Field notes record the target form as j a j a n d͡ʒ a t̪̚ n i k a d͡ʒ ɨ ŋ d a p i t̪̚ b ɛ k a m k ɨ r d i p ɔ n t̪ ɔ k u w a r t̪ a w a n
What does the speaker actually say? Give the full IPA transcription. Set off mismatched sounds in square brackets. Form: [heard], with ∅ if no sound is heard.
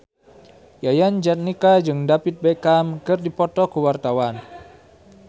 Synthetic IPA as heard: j a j a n d͡ʒ a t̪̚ n i k a d͡ʒ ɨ ŋ d a p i t̪̚ b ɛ k a m k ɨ r d i p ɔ [∅] t̪ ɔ k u w a r t̪ a w a n